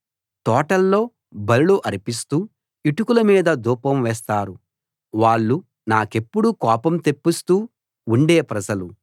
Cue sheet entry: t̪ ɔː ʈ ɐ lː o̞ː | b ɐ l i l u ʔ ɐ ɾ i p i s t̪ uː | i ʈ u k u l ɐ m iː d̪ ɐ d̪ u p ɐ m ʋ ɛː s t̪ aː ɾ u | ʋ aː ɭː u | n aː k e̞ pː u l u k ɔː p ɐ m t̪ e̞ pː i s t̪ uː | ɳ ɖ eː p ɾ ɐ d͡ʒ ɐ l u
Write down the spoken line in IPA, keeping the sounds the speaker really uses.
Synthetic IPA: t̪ ɔː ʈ ɐ lː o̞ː | b ɐ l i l u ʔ ɐ ɾ i p i s t̪ uː | i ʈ u k u l ɐ m iː d̪ ɐ d̪ uː p ɐ m ʋ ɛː s t̪ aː ɾ u | ʋ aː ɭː u | n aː k e̞ pː u ɽ u k ɔː p ɐ m t̪ e̞ pː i s t̪ uː | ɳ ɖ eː p ɾ ɐ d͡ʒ ɐ l u

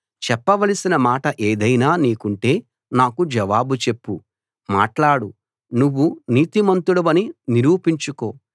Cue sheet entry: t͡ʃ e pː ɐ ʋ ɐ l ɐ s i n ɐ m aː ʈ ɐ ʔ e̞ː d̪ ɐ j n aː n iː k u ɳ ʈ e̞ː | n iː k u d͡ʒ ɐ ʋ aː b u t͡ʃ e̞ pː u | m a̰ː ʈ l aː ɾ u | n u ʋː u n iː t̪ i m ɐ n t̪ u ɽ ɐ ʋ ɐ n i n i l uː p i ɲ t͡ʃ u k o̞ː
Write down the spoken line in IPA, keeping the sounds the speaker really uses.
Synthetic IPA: t͡ʃ ɛ pː ɐ ʋ ɐ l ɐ s i n ɐ m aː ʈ ɐ ʔ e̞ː d̪ ɐ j n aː n iː k u ɳ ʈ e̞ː | n aː k u d͡ʒ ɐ ʋ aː b u t͡ʃ e̞ pː u | m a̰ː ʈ l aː ɽ u | n u ʋː u n iː t̪ i m ɐ n t̪ u ɽ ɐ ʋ ɐ n i n i ɾ uː p i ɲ t͡ʃ u k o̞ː

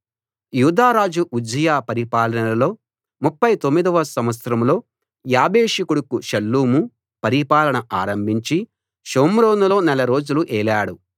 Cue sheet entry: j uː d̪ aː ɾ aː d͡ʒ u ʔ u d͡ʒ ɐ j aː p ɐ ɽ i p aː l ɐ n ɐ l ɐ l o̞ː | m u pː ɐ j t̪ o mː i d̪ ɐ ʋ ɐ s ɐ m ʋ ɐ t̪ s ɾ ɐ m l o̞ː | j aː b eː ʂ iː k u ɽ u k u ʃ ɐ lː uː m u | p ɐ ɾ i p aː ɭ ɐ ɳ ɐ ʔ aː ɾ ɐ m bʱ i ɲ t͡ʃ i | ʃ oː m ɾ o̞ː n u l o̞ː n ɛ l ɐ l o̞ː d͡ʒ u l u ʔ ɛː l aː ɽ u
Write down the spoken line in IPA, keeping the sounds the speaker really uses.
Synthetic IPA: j uː d̪ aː ɾ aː d͡ʒ u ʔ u d͡ʒ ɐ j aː p ɐ ɾ i p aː l ɐ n ɐ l ɐ l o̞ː | m u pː ɐ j t̪ o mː i d̪ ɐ ʋ ɐ s ɐ m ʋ ɐ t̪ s ɾ ɐ m l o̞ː | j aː b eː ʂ i k u ɽ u k u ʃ ɐ lː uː m u | p ɐ ɾ i p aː l ɐ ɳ ɐ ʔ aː ɾ ɐ m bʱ i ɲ t͡ʃ i | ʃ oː m ɾ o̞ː n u l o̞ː n ɛ l ɐ ɾ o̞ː d͡ʒ u l u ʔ ɛː l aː ɽ u

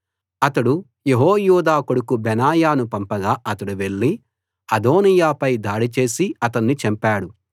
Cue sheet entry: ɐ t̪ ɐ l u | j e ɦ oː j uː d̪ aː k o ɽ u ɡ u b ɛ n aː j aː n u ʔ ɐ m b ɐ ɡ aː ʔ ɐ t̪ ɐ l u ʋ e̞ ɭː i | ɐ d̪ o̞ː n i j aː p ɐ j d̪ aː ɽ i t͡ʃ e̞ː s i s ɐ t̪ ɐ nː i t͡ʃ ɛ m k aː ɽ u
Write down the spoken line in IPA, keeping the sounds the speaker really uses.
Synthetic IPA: ɐ t̪ ɐ ɽ u | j e ɦ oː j uː d̪ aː k o ɽ u k u b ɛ n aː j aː n u p ɐ m p ɐ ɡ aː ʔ ɐ t̪ ɐ ɽ u ʋ e̞ ɭː i | ɐ d̪ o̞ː n i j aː p ɐ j d̪ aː ɽ i t͡ʃ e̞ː s i ɐ t̪ ɐ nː i t͡ʃ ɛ m p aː ɽ u

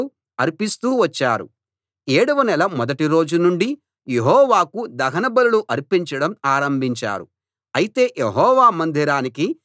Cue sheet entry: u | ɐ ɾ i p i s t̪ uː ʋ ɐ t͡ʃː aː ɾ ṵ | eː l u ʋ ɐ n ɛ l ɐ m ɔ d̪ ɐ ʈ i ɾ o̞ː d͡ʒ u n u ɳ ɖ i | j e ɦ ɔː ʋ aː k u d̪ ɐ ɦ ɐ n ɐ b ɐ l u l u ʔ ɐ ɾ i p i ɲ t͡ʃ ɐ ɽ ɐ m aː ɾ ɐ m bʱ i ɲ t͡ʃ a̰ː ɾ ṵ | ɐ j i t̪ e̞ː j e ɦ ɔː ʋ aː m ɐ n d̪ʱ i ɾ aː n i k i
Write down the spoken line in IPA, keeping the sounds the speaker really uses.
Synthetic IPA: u | ɐ ɾ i p i s t̪ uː ʋ ɐ t͡ʃː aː ɾ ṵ | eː ɽ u ʋ ɐ n ɛ l ɐ m ɔ d̪ ɐ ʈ i ɾ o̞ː d͡ʒ u n u ɳ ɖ i | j e ɦ ɔː ʋ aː k u d̪ ɐ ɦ ɐ n ɐ b ɐ l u l u ʔ ɐ ɾ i p i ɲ t͡ʃ ɐ ɽ ɐ m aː ɾ ɐ m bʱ i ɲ t͡ʃ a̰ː ɾ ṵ | ɐ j i t̪ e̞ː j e ɦ ɔː ʋ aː m ɐ n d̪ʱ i ɾ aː n i k i

